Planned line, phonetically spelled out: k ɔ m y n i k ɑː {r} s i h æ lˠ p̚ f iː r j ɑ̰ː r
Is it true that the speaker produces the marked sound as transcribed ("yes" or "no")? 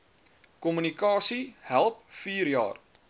no